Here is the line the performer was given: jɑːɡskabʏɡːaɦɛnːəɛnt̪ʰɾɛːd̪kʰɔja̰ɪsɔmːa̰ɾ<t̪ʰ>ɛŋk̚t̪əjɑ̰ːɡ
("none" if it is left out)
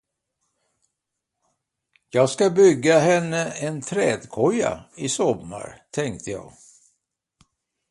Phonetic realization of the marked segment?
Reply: t̪ʰ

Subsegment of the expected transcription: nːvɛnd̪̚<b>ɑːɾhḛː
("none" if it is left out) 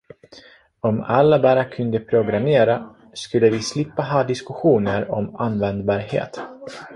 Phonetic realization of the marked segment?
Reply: b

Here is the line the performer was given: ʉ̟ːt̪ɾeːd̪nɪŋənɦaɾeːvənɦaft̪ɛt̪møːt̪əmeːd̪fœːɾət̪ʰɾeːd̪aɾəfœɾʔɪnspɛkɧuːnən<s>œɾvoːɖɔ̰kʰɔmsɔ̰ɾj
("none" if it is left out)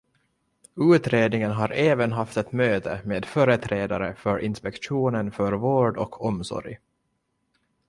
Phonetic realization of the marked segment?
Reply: f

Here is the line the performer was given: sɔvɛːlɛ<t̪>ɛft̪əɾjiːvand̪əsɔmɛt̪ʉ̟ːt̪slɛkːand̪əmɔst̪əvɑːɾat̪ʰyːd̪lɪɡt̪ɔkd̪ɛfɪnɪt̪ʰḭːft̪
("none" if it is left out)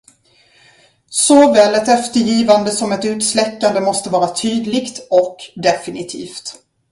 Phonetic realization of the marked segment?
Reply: t̪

